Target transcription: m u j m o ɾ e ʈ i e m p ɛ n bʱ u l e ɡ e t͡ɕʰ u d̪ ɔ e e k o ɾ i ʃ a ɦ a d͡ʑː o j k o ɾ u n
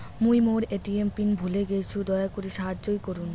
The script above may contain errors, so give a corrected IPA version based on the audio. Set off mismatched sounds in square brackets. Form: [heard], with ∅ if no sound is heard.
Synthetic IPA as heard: m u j m o ɾ e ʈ i e m p [i] n bʱ u l e ɡ e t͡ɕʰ u d̪ ɔ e [a] k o ɾ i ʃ a ɦ a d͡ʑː o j k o ɾ u n

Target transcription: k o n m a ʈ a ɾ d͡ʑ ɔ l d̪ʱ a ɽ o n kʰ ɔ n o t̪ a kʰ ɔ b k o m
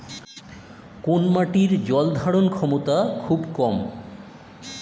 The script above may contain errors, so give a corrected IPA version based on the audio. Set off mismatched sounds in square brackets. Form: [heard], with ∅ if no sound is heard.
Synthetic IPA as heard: k o n m a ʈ [i] ɾ d͡ʑ ɔ l d̪ʱ a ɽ o n kʰ ɔ [m] o t̪ a kʰ [u] b k [ɔ] m

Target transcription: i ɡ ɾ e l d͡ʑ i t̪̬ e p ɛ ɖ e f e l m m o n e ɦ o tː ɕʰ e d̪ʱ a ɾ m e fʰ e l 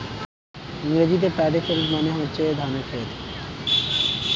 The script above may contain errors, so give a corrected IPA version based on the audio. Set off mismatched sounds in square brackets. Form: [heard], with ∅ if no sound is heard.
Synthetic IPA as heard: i [ŋ] ɾ e [∅] d͡ʑ i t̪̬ e p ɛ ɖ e f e l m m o n e ɦ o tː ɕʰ e d̪ʱ a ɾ m e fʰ e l

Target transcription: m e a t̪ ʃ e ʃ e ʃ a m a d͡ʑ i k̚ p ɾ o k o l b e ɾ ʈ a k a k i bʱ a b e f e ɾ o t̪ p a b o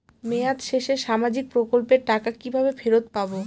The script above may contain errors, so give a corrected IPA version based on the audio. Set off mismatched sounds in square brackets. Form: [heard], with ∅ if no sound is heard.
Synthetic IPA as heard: m e a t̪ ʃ e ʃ e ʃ a m a d͡ʑ i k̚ p ɾ o k o l [p] e ɾ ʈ a k a k i bʱ a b e f e ɾ o t̪ p a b o

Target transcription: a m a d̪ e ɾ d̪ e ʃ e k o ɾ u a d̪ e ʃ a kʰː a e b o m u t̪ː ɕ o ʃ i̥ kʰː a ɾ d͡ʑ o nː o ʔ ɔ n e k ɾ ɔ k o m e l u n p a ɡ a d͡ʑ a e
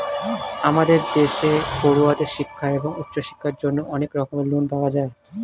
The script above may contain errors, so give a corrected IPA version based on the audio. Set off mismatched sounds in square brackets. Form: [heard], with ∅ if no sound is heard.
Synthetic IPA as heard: a m a d̪ e ɾ d̪ e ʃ e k o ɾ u a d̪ e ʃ [i] kʰː a e b o [ŋ] u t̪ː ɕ o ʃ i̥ kʰː a ɾ d͡ʑ o nː o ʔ ɔ n e k ɾ ɔ k o m e l u n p a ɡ a d͡ʑ a e

